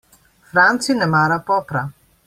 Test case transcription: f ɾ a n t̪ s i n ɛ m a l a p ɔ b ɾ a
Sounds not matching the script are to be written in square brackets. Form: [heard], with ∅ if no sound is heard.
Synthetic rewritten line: f ɾ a n t̪ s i n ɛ m a [ɾ] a p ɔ [p] ɾ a

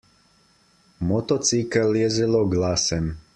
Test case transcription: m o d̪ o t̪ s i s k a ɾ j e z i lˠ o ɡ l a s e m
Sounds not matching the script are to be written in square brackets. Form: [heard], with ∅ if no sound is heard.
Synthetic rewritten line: m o [t̪] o t̪ s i [∅] k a [l] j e z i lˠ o ɡ l a s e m

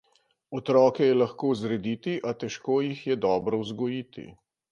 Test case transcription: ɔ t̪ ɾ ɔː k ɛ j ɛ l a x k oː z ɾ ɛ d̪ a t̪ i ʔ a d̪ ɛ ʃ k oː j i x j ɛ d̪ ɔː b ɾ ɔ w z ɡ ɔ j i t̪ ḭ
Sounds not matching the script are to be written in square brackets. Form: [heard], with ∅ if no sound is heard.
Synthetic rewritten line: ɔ t̪ ɾ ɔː k ɛ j ɛ l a x k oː z ɾ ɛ d̪ [i] t̪ i ʔ a [t̪] ɛ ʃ k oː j i x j ɛ d̪ ɔː b ɾ ɔ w z ɡ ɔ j i t̪ ḭ

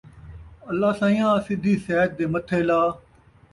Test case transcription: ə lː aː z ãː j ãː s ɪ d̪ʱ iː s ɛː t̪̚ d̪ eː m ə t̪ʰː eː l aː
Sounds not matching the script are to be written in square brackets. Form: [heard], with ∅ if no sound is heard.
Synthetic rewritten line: ə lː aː [s] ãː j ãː s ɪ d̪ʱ iː s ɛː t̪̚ d̪ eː m ə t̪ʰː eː l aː

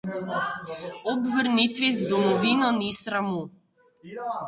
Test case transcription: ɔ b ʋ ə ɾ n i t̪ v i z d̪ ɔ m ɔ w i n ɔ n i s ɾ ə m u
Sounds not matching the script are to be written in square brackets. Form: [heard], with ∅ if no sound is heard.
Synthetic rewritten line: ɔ b [v] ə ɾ n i t̪ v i z d̪ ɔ m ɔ [v] i n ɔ n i s ɾ [a] m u

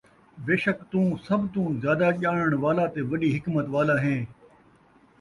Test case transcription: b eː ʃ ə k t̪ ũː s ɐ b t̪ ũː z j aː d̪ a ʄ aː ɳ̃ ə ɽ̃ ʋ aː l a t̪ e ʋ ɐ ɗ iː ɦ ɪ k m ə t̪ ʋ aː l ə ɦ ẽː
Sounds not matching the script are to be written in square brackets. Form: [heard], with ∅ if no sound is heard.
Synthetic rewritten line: b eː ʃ ə k t̪ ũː s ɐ b t̪ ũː z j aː d̪ a ʄ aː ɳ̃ ə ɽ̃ ʋ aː l a t̪ e ʋ ɐ ɗ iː ɦ ɪ k m ə t̪ ʋ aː l [a] ɦ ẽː

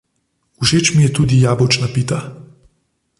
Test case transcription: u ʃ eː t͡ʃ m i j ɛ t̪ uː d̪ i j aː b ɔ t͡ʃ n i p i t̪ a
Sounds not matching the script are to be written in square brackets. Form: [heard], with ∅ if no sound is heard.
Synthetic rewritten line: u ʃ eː t͡ʃ m i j ɛ t̪ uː d̪ i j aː b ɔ t͡ʃ n [a] p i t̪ a

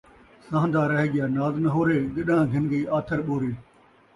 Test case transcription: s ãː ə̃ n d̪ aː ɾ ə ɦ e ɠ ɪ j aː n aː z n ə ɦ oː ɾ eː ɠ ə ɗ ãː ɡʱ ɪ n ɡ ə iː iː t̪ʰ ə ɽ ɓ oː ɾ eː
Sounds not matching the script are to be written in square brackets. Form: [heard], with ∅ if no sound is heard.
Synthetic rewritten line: s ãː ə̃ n d̪ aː ɾ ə ɦ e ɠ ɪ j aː n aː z n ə ɦ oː ɾ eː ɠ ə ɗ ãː ɡʱ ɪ n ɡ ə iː [aː] t̪ʰ ə [ɾ] ɓ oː ɾ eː

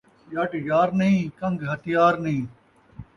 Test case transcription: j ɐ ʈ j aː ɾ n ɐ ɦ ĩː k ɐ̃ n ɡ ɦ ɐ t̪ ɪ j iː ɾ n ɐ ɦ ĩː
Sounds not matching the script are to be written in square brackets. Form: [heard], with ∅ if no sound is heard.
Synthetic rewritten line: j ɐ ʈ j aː ɾ n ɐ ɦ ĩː k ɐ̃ [ŋ] ɡ ɦ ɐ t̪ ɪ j [aː] ɾ n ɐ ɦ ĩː

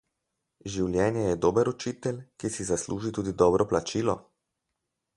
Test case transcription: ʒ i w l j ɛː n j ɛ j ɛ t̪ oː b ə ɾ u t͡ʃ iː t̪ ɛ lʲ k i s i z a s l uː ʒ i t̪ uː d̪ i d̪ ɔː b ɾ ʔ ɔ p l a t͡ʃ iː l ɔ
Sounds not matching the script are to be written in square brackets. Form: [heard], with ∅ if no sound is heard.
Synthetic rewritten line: ʒ i w l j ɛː n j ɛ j ɛ [d̪] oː b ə ɾ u t͡ʃ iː t̪ ɛ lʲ k i s i z a s l uː ʒ i t̪ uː d̪ i d̪ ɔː b ɾ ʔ ɔ p l a t͡ʃ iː l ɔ

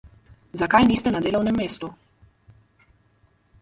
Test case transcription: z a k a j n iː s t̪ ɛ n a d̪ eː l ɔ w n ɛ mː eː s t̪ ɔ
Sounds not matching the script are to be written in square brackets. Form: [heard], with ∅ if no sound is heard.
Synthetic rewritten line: z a k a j n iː s t̪ ɛ n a d̪ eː l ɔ w n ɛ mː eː s t̪ [u]

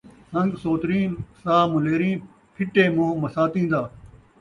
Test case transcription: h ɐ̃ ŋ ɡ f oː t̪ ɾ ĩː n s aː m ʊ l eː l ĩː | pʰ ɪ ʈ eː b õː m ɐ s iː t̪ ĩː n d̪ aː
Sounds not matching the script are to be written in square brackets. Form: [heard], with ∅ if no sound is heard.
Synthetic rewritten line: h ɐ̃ ŋ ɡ [s] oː t̪ ɾ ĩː n s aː m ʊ l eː [ɾ] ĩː | pʰ ɪ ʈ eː [m] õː m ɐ s [aː] t̪ ĩː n d̪ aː

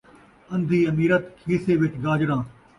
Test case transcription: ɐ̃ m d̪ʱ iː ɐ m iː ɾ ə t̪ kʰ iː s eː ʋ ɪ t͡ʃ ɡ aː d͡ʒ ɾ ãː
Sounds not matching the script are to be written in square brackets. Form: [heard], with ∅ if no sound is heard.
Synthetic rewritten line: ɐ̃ [n] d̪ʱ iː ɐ m iː ɾ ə t̪ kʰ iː s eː ʋ ɪ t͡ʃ ɡ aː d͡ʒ ɾ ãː

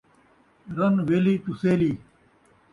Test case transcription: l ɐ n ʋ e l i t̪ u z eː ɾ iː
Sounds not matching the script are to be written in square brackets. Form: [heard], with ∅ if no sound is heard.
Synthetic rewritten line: [ɾ] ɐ n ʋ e l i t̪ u [s] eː [l] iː

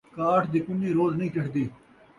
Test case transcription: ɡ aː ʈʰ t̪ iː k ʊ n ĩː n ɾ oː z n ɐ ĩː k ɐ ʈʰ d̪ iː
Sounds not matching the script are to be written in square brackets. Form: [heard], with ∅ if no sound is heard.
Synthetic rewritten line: [k] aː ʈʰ [d̪] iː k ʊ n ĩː [∅] ɾ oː z n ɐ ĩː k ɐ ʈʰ d̪ iː

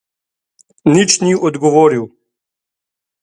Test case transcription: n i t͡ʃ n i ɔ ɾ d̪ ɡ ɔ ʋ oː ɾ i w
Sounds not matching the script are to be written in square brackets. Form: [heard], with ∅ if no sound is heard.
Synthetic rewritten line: n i t͡ʃ n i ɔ [∅] d̪ ɡ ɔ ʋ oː ɾ i w

